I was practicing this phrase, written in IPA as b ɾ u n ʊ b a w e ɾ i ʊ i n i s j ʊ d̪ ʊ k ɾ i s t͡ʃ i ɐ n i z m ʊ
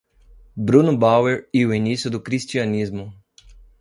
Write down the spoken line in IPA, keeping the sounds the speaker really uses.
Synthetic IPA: b ɾ u n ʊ b a w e ɾ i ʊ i n i s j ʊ d̪ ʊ k ɾ i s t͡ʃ i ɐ n i z m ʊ